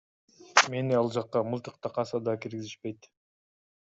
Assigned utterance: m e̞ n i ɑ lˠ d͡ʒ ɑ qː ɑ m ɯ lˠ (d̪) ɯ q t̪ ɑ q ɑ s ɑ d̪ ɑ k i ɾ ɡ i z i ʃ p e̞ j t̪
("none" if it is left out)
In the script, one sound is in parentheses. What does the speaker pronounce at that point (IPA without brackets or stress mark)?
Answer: t̪